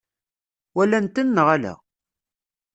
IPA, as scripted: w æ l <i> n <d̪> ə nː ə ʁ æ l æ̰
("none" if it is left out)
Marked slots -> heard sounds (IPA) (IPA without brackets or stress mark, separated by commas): æ, t̪